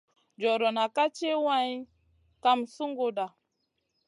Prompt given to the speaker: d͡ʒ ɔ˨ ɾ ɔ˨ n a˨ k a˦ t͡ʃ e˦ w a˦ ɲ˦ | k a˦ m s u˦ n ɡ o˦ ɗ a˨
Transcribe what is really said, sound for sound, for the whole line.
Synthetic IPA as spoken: d͡ʒ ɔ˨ ɾ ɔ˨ n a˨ k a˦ t͡ʃ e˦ w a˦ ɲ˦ | k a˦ m s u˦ ŋ ɡ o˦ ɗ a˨